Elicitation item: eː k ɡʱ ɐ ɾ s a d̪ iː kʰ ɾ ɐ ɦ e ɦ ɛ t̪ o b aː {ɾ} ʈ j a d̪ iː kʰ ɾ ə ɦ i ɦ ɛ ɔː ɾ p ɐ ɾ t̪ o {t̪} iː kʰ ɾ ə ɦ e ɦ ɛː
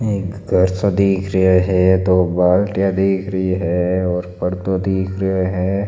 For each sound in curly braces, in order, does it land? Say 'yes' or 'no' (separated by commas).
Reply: no, no